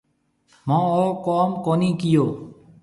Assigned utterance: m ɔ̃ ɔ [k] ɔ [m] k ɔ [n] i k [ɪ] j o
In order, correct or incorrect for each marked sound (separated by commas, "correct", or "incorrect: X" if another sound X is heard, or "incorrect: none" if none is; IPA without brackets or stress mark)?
correct, correct, correct, incorrect: i